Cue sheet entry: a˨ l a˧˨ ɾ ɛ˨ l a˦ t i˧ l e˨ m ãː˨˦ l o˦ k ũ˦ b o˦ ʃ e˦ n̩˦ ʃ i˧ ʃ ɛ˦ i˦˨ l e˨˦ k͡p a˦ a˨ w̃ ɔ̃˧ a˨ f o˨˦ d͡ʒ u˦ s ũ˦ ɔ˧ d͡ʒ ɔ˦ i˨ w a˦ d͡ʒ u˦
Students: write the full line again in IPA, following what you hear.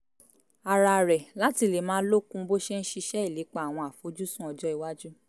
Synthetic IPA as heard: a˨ ɾ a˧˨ ɾ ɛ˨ l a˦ t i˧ l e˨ m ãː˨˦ l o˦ k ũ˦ b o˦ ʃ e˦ n̩˦ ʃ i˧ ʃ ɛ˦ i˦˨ l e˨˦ k͡p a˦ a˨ w̃ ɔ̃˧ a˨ f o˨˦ d͡ʒ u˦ s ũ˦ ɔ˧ d͡ʒ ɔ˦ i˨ w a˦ d͡ʒ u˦